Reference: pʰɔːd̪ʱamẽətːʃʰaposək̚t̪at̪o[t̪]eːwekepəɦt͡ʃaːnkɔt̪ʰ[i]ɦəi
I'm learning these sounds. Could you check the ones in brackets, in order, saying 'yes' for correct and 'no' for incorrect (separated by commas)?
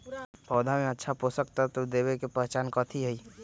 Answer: no, yes